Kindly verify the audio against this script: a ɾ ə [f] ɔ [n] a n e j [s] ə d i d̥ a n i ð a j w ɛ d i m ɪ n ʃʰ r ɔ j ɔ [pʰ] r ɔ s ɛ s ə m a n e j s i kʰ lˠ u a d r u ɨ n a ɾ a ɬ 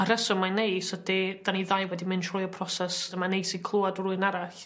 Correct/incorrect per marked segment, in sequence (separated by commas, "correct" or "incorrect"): incorrect, incorrect, correct, correct